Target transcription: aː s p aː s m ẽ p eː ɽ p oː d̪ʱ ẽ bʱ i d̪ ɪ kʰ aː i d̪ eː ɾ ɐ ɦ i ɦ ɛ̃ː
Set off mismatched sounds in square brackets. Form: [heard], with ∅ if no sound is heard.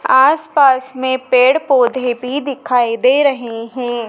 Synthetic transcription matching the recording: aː s p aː s m ẽ p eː ɽ p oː d̪ʱ [e] bʱ i d̪ ɪ kʰ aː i d̪ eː ɾ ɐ ɦ [e] ɦ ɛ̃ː

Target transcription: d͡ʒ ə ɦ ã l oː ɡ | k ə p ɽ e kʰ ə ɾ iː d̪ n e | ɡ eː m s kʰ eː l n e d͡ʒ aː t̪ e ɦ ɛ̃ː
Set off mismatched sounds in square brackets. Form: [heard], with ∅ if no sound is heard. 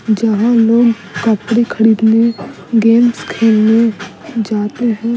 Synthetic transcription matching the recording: d͡ʒ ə ɦ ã l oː ɡ | k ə p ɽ e kʰ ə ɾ iː d̪ n e | ɡ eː m s kʰ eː l n e d͡ʒ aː t̪ e ɦ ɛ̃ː

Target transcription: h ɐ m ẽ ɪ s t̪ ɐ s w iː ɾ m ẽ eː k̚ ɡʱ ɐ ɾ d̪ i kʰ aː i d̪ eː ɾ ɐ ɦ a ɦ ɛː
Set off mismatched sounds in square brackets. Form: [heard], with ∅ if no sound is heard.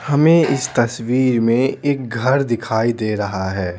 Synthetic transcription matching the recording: h ɐ m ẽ ɪ s t̪ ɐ s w iː ɾ m ẽ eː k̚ ɡʱ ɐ ɾ d̪ [ɪ] kʰ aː i d̪ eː ɾ ɐ ɦ a ɦ ɛː

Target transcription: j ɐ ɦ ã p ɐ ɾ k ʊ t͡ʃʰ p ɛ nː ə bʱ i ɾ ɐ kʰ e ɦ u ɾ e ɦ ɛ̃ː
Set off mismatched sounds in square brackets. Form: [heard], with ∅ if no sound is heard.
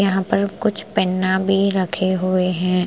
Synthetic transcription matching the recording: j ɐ ɦ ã p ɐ ɾ k ʊ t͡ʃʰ p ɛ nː [a] bʱ i ɾ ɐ kʰ e ɦ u [∅] e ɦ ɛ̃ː

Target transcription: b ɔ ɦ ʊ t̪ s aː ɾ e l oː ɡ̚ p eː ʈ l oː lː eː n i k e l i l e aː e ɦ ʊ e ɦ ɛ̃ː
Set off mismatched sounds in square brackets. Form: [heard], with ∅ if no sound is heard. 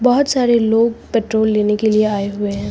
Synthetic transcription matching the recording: b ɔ ɦ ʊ t̪ s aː ɾ e l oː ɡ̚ p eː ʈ [ɾ] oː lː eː n [e] k e l i [∅] e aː e ɦ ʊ e ɦ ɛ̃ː

